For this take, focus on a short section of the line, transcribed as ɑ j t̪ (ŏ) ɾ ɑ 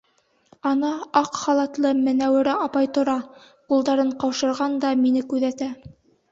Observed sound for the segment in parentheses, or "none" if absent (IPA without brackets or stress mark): ŏ